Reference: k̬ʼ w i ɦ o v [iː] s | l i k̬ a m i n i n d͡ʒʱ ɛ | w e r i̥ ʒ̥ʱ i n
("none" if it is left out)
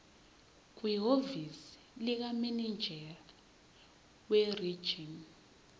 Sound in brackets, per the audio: i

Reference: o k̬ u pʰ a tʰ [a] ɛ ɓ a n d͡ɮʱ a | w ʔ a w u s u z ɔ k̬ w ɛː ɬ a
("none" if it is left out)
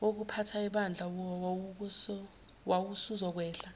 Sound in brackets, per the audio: a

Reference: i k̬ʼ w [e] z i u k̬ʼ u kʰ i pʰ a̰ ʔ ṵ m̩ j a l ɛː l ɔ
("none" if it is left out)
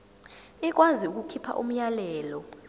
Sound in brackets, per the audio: a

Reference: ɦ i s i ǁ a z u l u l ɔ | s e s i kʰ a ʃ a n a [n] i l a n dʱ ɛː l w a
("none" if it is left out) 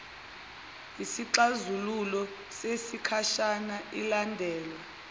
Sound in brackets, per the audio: none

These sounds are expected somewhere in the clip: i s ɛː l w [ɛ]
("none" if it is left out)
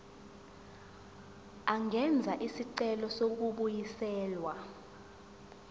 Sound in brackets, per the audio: a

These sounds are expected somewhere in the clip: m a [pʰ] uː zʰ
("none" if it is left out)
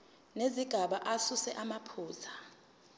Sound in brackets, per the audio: pʰ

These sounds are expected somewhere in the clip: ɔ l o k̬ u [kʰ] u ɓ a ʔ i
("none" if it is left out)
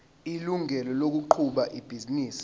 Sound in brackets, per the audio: ǃʰ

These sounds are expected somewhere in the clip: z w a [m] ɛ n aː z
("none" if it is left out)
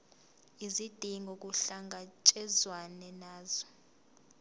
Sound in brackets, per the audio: n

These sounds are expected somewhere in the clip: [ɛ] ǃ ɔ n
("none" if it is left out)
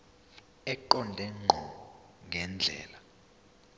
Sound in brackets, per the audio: ɛ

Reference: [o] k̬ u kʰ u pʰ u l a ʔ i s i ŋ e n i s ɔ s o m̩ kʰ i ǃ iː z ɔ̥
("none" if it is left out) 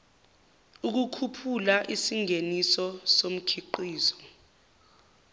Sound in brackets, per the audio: u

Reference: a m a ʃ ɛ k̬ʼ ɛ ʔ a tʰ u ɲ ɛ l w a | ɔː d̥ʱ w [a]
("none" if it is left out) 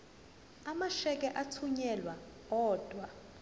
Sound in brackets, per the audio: a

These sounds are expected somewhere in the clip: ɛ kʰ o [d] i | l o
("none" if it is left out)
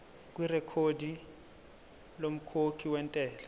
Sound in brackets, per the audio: d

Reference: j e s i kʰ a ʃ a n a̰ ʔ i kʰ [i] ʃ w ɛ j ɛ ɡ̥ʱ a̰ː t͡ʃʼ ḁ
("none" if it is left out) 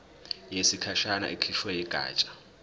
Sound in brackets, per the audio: i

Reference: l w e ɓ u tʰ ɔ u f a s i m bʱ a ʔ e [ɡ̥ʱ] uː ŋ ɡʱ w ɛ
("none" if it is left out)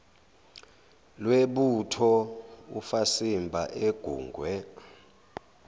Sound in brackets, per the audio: ɡ̥ʱ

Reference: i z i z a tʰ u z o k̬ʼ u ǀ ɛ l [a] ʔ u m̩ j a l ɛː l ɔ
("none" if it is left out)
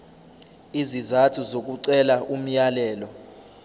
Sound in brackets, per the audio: a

